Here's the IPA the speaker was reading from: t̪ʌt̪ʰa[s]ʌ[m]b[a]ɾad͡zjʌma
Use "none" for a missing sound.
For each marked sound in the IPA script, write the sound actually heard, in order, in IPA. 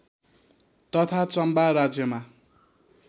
t͡s, m, a

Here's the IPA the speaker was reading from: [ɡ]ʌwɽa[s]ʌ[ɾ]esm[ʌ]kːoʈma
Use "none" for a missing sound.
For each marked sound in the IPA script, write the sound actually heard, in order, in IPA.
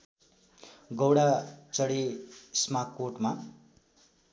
ɡ, t͡s, ɽ, a

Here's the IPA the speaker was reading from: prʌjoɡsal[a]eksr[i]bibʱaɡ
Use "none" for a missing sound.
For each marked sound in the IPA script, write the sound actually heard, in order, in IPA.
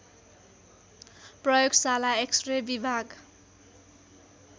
a, e

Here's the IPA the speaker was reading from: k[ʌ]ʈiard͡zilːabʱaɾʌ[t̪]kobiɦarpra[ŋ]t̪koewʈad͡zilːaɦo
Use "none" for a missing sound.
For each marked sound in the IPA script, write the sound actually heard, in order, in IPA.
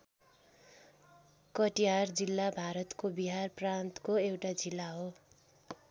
ʌ, t̪, n

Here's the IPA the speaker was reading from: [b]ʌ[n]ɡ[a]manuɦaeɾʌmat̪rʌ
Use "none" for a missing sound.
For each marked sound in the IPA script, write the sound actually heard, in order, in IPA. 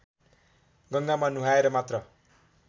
ɡ, ŋ, a

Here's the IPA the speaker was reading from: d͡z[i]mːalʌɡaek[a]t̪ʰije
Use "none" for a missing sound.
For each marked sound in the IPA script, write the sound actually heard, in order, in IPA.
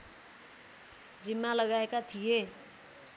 i, a

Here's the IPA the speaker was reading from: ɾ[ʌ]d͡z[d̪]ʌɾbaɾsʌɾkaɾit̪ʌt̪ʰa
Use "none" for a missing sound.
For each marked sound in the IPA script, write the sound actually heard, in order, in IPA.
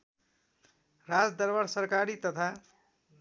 a, d̪

